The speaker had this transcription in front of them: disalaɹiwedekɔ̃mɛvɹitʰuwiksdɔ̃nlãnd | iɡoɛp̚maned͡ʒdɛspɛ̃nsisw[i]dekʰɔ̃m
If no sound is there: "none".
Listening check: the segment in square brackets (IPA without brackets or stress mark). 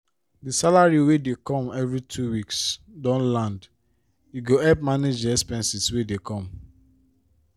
e